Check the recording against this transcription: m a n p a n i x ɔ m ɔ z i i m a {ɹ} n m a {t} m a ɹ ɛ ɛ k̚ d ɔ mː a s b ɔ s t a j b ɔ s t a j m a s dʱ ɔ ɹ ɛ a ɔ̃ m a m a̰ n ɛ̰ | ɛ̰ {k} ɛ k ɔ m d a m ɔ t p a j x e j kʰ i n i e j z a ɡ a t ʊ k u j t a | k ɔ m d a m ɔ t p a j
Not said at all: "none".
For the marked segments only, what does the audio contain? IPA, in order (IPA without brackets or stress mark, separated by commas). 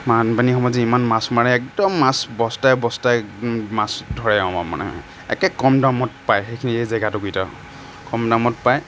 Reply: none, s, k